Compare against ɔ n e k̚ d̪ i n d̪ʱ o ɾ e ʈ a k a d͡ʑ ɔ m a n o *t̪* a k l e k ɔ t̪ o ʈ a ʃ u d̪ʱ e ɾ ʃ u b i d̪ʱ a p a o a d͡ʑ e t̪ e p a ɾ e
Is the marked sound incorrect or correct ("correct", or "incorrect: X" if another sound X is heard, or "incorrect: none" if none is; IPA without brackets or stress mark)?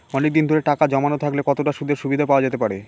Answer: incorrect: t̪ʰ